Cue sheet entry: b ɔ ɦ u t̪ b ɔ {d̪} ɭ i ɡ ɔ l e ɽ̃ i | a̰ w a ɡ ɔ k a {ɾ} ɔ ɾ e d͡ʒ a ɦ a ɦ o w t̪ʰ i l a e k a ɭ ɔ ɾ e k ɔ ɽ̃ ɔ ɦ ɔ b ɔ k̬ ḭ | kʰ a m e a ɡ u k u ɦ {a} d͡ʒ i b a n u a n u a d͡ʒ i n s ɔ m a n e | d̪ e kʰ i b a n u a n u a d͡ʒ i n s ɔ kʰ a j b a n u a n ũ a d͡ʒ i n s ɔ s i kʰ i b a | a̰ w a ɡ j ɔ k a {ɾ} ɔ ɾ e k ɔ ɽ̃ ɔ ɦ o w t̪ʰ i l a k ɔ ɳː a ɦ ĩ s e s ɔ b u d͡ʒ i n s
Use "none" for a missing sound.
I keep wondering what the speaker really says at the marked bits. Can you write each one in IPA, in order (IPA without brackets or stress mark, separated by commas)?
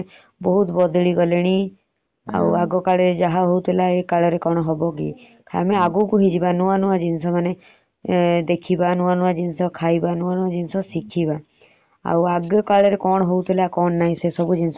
d̪, ɭ, i, ɭ